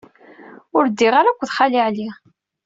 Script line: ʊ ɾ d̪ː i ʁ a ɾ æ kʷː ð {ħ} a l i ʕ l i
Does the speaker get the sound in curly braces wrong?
yes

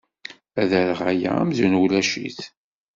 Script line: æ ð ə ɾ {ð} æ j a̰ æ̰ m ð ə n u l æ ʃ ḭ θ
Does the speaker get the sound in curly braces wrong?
yes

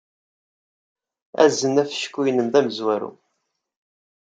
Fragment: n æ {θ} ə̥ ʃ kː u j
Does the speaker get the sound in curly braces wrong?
yes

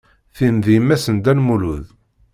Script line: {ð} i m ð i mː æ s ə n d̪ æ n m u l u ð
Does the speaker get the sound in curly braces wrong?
yes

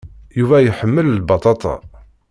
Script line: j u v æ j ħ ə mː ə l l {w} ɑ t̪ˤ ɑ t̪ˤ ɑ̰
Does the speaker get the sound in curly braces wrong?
yes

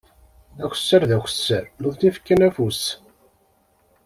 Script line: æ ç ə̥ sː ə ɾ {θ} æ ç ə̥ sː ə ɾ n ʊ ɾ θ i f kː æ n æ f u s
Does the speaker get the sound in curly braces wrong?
yes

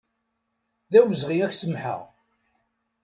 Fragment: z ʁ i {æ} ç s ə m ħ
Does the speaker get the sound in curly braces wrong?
no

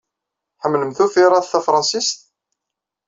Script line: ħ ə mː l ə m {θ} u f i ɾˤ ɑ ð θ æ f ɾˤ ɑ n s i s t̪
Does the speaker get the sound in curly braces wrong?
no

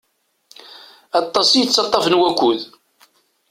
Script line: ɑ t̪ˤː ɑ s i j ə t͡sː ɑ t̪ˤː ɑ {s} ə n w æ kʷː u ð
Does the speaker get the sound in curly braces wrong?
yes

